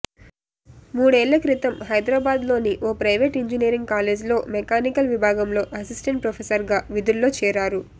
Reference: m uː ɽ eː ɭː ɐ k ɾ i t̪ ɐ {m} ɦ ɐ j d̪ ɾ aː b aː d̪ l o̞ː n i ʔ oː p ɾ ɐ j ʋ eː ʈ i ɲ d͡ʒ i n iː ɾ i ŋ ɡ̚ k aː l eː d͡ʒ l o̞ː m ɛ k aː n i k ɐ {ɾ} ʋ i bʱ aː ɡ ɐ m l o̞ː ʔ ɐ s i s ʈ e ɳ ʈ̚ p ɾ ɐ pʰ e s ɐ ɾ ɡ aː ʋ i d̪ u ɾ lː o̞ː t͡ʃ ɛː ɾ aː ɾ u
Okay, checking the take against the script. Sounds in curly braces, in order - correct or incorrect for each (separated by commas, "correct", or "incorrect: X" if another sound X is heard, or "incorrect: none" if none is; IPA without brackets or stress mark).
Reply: correct, incorrect: l